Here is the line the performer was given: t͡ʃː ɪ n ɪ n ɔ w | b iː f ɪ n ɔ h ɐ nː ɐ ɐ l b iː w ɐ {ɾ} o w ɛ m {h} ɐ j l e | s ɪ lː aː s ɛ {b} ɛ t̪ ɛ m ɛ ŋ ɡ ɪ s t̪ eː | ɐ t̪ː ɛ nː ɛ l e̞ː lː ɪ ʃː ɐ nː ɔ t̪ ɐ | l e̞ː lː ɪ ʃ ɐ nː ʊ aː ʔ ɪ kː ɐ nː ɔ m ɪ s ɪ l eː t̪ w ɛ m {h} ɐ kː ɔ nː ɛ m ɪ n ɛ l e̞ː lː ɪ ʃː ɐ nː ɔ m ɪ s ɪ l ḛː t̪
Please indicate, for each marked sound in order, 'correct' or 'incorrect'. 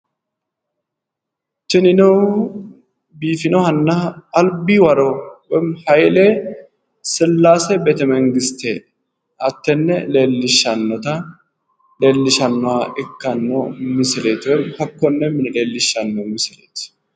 correct, correct, correct, correct

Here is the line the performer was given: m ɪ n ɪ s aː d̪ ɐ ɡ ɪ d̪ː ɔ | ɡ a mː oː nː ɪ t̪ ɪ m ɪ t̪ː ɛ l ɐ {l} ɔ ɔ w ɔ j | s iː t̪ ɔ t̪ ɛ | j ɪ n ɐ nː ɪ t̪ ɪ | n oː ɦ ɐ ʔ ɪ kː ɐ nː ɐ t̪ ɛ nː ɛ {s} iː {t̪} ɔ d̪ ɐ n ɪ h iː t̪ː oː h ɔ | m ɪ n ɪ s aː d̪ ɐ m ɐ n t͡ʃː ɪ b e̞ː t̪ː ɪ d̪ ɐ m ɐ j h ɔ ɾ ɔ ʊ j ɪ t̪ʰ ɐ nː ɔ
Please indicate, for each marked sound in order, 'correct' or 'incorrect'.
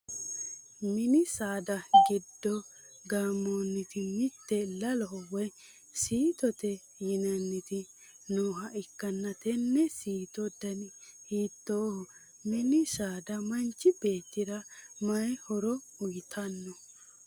correct, correct, correct

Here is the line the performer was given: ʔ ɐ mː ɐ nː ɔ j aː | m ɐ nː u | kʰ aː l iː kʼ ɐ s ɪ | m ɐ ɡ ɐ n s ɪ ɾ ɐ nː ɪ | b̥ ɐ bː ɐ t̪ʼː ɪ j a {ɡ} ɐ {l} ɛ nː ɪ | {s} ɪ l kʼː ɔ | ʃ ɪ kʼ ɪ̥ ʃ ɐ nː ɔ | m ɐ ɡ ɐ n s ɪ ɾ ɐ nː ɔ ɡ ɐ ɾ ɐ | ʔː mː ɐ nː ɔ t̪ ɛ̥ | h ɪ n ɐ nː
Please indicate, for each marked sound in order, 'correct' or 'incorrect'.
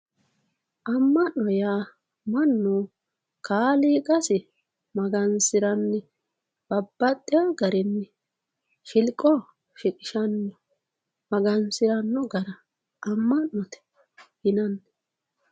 correct, incorrect: ɾ, incorrect: ʃ

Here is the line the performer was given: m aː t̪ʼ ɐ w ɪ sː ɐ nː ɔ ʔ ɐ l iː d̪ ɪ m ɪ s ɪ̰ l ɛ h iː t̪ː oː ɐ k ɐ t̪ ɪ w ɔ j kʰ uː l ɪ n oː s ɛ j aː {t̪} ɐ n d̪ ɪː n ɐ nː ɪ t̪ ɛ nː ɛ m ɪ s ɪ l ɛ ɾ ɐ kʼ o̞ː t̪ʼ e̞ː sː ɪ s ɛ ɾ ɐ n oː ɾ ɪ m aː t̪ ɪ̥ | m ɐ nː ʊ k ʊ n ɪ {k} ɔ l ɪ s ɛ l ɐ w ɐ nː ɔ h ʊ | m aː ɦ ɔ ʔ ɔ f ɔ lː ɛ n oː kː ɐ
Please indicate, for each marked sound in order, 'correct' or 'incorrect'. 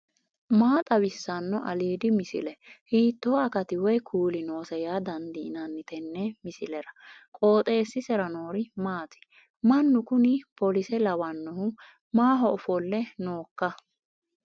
incorrect: d̪, incorrect: p

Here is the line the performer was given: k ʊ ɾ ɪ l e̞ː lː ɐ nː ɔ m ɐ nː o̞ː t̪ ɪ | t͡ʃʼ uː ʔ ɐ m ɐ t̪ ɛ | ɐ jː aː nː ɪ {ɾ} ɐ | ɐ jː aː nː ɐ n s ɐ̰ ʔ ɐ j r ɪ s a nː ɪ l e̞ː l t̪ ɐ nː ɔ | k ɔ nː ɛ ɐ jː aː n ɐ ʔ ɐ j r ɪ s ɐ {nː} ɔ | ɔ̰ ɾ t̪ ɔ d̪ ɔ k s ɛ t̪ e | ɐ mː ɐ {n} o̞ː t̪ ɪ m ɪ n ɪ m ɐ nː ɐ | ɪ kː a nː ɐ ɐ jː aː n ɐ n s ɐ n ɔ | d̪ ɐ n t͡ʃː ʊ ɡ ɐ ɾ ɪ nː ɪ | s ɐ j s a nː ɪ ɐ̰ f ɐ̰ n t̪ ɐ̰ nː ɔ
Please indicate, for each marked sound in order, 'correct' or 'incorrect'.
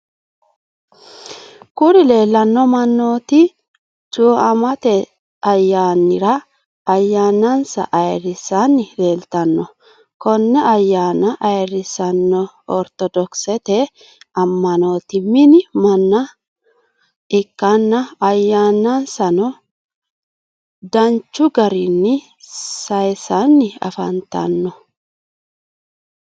correct, correct, correct

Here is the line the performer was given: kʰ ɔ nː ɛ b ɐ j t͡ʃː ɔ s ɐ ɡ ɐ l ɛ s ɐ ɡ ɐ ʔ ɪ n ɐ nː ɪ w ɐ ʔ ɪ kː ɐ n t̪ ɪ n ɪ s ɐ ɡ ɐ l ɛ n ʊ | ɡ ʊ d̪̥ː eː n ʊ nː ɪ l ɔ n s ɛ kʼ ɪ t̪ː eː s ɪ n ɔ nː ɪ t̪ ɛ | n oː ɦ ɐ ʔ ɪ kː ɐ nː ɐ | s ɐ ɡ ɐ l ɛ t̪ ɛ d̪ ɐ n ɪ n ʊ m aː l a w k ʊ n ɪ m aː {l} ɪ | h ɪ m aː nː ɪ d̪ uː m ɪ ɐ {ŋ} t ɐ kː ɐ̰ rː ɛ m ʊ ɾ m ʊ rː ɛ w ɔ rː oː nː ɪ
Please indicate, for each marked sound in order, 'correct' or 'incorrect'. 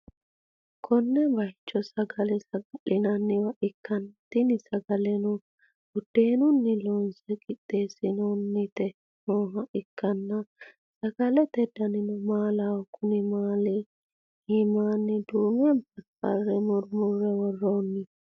correct, incorrect: n

